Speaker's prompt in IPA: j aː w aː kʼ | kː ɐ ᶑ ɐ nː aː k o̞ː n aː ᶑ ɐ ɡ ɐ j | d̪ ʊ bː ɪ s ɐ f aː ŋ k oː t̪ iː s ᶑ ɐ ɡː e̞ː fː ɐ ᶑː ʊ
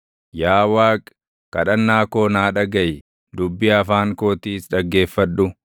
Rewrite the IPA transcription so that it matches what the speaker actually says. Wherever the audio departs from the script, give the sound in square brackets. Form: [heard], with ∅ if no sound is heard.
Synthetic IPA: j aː w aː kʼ | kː ɐ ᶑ ɐ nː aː k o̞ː n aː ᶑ ɐ ɡ ɐ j | d̪ ʊ bː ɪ [∅] ɐ f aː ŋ k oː t̪ iː s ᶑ ɐ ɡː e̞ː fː ɐ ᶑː ʊ